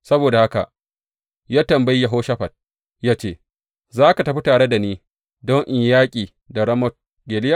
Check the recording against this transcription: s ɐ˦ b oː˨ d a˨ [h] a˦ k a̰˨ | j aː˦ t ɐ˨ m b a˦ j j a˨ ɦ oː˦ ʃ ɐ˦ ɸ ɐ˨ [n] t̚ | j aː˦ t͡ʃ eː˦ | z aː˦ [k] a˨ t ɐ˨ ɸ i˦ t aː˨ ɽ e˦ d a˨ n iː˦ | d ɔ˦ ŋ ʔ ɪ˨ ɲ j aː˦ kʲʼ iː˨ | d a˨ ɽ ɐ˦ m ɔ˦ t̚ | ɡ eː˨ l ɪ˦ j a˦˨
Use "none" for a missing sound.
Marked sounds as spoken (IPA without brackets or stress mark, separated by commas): h, none, k